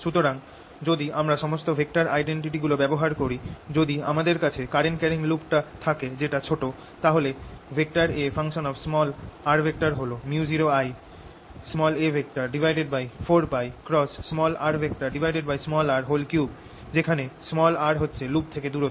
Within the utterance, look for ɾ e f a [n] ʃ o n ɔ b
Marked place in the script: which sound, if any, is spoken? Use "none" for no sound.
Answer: ŋ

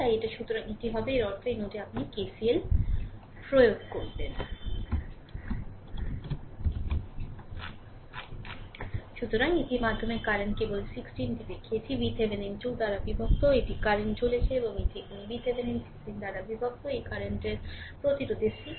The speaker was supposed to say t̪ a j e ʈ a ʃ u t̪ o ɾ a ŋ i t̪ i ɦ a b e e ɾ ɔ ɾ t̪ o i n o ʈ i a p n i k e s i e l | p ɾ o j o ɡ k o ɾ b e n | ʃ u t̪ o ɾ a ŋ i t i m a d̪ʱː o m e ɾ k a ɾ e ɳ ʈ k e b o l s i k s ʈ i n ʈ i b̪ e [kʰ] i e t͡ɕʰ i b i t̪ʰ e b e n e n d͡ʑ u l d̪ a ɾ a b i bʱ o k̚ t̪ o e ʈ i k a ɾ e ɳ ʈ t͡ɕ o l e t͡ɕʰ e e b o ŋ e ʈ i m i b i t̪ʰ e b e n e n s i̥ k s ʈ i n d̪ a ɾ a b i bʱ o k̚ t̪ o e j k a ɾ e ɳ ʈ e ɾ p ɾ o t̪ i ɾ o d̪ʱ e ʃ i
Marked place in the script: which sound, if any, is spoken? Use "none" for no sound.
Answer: kʰ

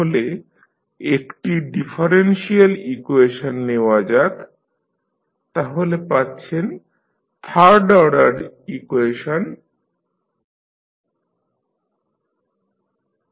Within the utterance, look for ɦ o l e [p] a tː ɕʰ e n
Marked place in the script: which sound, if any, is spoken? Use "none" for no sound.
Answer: p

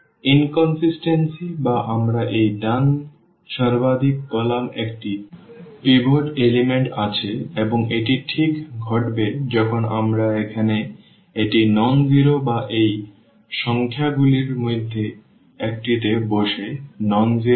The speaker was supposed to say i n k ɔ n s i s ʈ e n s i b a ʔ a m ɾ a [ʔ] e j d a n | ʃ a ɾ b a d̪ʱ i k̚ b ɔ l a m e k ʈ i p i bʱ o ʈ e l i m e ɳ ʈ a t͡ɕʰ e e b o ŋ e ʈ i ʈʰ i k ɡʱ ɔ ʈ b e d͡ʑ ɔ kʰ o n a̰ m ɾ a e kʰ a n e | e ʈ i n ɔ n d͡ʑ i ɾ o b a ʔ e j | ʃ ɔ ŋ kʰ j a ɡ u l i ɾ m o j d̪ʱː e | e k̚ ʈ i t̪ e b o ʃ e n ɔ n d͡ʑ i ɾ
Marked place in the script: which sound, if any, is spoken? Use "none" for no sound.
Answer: ʔ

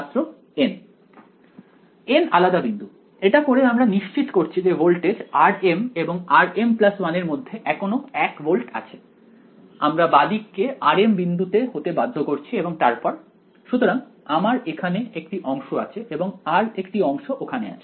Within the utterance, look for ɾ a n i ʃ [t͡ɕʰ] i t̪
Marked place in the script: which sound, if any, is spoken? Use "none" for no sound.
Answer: t͡ɕ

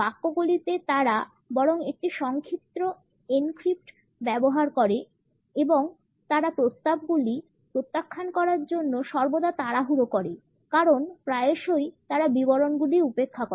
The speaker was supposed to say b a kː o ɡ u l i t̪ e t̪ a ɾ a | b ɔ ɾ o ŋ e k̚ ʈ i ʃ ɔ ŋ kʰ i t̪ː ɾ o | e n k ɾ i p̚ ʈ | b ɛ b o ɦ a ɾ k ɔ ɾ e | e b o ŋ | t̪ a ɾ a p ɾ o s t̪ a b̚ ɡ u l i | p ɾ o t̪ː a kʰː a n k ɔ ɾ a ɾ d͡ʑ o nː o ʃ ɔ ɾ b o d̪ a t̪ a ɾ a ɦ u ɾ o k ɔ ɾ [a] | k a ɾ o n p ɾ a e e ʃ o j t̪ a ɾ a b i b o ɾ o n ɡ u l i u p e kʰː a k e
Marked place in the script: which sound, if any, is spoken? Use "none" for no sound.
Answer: e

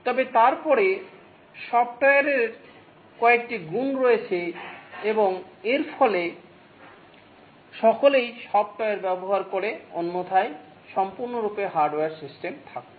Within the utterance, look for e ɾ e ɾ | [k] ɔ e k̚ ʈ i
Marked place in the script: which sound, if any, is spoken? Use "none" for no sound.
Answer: k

